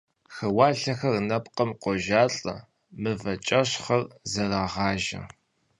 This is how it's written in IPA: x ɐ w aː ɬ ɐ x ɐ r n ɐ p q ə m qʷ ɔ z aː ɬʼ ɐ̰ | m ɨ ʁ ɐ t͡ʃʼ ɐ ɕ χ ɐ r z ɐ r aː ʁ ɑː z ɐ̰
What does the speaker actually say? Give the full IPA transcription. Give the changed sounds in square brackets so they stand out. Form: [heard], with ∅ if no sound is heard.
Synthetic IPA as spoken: x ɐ w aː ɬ ɐ x ɐ r n ɐ p q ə m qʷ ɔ [ʒ] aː ɬʼ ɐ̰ | m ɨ [v] ɐ t͡ʃʼ ɐ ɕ χ ɐ r z ɐ r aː ʁ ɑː [ʒ] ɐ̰